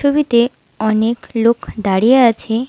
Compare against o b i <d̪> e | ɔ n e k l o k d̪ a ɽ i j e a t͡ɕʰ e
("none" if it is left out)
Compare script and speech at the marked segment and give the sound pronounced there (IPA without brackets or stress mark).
t̪